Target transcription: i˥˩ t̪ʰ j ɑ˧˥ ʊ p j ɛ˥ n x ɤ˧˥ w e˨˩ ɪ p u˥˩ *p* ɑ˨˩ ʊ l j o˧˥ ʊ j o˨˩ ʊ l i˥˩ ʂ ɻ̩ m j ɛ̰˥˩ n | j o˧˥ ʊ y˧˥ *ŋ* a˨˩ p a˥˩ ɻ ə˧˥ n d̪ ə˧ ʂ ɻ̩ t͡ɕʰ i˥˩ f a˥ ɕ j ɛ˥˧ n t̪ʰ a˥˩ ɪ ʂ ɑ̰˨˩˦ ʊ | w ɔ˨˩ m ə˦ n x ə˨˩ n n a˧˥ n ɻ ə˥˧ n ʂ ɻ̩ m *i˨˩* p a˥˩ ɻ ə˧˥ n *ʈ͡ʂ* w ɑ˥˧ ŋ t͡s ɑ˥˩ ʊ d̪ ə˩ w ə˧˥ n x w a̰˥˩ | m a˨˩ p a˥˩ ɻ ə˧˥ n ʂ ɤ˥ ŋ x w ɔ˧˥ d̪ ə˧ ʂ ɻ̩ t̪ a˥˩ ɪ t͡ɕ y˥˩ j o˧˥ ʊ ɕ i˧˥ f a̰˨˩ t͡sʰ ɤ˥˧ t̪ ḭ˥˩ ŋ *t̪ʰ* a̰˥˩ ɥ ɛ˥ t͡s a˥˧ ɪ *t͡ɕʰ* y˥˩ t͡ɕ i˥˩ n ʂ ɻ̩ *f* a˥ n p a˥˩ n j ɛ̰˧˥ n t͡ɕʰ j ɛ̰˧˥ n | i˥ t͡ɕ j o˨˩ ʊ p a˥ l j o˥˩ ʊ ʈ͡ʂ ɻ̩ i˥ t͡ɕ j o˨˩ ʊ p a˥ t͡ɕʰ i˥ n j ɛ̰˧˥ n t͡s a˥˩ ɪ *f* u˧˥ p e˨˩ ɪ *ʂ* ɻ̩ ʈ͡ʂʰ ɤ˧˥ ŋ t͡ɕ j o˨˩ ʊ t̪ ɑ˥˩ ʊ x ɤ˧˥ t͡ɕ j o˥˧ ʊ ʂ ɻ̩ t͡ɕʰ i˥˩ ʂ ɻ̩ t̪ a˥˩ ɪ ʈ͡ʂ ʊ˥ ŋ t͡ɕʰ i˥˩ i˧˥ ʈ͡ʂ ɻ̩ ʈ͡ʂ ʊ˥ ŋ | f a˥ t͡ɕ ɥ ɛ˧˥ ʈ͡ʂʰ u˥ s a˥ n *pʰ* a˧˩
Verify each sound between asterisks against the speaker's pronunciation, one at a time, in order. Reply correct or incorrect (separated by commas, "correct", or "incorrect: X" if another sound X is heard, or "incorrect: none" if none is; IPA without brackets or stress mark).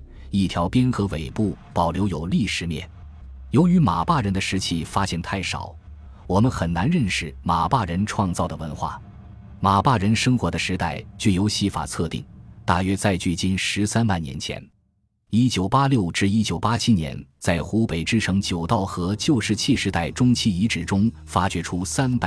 correct, incorrect: m, incorrect: a˨˩, incorrect: ʈ͡ʂʰ, incorrect: t̪, incorrect: t͡ɕ, incorrect: s, incorrect: x, incorrect: ʈ͡ʂ, incorrect: p